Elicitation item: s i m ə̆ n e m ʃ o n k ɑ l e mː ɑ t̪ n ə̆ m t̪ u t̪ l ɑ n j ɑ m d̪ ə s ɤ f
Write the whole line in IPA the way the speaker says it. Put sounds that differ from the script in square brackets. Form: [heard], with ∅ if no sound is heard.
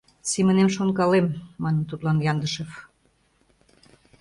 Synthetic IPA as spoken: s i m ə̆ n e m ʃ o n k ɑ l e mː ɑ [∅] n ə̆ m t̪ u t̪ l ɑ n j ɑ [n] d̪ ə [ʃ] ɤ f